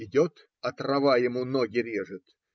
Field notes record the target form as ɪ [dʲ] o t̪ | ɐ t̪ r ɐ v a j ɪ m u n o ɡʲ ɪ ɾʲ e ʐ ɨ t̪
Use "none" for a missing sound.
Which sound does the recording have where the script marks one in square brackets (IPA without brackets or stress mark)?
dʲ